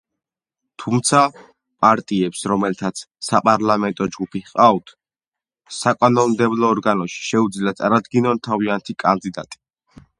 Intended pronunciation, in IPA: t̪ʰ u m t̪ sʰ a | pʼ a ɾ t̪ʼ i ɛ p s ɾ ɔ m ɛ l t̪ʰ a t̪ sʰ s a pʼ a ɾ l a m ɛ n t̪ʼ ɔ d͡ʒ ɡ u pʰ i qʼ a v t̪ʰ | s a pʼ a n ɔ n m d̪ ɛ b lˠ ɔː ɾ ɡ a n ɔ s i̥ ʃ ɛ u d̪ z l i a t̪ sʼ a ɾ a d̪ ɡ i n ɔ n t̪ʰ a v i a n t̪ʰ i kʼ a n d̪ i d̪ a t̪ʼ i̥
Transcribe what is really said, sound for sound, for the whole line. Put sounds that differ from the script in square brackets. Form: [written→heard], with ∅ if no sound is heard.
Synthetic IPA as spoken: t̪ʰ u m t̪ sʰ a | pʼ a ɾ t̪ʼ i ɛ p s ɾ ɔ m ɛ l t̪ʰ a t̪ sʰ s a pʼ a ɾ l a m ɛ n t̪ʼ ɔ d͡ʒ ɡ u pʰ i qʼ a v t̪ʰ | s a [pʼ→kʼ] a n ɔ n m d̪ ɛ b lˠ ɔː ɾ ɡ a n ɔ [s→ʃ] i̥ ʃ ɛ u d̪ z l i a t̪ sʼ a ɾ a d̪ ɡ i n ɔ n t̪ʰ a v i a n t̪ʰ i kʼ a n d̪ i d̪ a t̪ʼ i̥